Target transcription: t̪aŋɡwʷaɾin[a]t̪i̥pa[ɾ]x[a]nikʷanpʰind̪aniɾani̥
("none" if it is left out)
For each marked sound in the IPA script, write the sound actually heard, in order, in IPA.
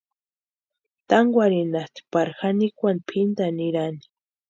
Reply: a, ɾ, a

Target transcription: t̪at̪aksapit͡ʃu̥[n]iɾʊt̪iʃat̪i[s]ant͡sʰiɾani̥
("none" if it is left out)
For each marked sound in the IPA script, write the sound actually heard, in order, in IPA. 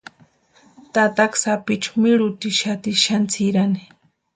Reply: m, ʃ

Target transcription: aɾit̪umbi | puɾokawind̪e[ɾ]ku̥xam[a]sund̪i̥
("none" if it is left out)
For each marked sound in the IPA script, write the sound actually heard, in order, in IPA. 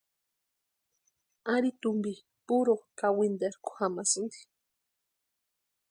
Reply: ɾ, a

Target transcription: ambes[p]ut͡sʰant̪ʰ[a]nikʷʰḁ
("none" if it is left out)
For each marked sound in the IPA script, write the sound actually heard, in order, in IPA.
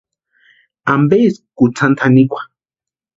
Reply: k, a

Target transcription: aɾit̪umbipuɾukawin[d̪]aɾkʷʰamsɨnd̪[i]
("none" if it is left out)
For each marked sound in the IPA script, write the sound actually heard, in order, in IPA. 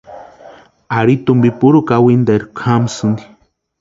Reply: d̪, i

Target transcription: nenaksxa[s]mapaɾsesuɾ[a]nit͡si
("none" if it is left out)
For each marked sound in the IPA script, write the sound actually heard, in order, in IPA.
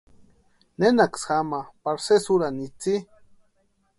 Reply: none, a

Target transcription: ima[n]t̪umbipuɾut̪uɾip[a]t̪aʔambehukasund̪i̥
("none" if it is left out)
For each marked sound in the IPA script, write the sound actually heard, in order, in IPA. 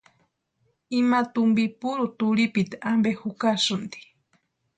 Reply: none, i

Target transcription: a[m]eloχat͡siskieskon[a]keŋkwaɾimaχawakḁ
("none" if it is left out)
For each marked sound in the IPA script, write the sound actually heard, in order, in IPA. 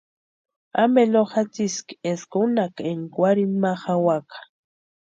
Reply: m, a

